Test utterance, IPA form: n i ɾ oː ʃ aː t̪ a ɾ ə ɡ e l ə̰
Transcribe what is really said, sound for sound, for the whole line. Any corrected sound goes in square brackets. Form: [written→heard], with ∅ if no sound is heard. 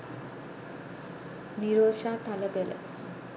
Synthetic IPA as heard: n i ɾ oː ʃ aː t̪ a [ɾ→l] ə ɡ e l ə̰